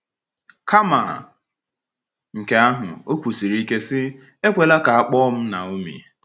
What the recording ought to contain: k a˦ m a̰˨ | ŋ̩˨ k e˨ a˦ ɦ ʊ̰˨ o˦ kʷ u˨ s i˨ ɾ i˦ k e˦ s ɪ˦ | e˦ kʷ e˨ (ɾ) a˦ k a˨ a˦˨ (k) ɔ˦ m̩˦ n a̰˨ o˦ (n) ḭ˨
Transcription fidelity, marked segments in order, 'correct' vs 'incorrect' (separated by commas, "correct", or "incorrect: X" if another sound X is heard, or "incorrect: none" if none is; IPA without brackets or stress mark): incorrect: l, incorrect: k͡p, incorrect: m